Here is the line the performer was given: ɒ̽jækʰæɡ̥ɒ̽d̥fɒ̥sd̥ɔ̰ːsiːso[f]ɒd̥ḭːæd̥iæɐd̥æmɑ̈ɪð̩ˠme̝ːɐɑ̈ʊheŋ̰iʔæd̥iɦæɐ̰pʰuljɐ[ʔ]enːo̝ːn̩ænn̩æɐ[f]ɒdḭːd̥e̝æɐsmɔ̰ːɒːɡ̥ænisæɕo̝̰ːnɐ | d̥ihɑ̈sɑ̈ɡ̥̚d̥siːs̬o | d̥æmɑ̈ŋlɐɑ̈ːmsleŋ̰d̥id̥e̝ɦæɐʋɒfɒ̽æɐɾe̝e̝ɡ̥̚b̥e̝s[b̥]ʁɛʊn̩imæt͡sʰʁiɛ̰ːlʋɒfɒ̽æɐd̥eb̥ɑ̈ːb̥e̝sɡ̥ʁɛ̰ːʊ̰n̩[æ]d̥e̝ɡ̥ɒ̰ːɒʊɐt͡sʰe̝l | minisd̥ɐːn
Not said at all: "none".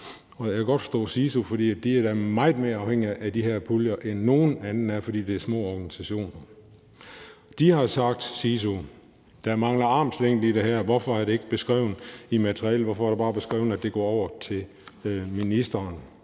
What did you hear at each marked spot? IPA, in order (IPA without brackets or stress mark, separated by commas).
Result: f, ʔ, f, ɡ̥, æ